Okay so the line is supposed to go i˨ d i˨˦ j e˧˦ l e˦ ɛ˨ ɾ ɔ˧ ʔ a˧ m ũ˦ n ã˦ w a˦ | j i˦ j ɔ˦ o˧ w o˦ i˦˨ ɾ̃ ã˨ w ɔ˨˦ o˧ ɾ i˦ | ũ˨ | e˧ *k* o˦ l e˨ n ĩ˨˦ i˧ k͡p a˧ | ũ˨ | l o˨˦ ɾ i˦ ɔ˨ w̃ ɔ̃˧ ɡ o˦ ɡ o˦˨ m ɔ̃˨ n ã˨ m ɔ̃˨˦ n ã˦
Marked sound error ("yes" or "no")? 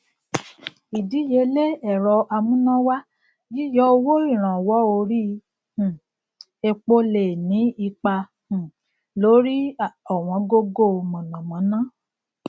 yes